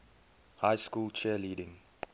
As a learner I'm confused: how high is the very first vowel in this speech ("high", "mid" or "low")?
low